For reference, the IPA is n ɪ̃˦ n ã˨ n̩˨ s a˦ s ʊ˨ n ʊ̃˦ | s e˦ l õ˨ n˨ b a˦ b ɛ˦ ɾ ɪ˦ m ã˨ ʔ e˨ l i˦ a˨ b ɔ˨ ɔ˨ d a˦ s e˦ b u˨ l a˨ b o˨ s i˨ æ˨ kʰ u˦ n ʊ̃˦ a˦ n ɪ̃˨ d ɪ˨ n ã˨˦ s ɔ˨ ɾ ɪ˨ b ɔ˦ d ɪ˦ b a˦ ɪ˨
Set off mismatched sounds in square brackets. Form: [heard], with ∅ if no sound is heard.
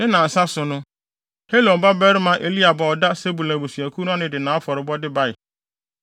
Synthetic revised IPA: n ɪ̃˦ n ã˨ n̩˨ s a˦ s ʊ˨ n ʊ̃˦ | [h] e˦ l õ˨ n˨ b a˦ b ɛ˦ ɾ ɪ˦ m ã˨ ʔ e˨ l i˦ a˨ b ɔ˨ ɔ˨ d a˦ s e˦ b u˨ l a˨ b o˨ s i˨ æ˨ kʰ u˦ n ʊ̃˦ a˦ n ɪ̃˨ d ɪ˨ n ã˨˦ [f] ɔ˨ ɾ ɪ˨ b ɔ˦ d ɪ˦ b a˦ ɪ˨

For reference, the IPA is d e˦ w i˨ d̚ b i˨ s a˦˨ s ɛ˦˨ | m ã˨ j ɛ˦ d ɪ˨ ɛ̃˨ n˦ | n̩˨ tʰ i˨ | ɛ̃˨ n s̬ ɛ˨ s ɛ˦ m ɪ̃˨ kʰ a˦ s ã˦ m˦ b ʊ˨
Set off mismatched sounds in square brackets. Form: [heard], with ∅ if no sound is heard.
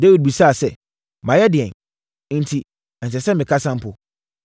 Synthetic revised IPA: d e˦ w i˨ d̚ b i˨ s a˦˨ s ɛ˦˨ | m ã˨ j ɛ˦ d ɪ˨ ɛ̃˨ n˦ | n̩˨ tʰ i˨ | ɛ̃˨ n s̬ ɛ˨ s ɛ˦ m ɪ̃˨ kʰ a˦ s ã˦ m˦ [p] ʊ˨

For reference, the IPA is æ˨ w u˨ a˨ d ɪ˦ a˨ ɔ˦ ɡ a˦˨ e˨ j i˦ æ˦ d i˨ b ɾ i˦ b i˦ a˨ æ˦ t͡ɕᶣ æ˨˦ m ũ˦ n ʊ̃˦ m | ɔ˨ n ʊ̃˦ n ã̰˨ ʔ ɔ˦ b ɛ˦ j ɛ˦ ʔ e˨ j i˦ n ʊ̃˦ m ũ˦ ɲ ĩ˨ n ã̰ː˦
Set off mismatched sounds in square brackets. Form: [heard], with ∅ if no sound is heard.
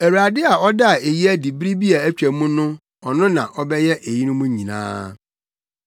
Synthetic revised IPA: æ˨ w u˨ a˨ d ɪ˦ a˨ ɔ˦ [d] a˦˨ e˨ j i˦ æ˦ d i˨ b ɾ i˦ b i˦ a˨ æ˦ t͡ɕᶣ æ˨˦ m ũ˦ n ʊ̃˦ [∅] | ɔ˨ n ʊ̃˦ n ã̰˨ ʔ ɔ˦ b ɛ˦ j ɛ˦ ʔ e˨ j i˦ n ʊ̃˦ m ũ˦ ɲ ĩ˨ n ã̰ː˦

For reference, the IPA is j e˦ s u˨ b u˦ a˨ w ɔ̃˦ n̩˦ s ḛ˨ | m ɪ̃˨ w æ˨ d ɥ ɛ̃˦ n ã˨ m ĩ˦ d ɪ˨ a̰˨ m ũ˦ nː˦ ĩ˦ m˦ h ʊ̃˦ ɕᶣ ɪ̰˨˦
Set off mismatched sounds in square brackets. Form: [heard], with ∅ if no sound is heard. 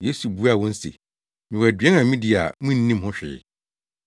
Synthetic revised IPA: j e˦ s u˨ b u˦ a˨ w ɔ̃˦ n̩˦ s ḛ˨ | m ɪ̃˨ w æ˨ d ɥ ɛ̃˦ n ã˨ m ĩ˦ d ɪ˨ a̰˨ m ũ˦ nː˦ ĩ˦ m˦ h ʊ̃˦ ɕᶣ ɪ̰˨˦

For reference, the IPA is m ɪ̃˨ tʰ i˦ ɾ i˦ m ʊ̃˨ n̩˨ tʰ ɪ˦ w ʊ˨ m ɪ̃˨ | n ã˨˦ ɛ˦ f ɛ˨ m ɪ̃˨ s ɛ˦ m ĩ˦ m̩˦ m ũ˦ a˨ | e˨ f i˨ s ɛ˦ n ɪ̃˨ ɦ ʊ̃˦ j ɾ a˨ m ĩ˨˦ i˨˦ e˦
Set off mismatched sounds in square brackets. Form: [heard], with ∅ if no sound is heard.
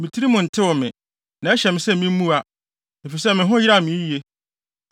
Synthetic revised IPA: m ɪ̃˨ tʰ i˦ ɾ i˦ m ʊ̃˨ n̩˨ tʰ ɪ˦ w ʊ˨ m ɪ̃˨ | n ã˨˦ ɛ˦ [ɕ] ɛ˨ m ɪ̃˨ s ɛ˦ m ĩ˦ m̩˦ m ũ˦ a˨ | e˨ f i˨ s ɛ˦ [m] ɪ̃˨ ɦ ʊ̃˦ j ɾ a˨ m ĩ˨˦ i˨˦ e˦

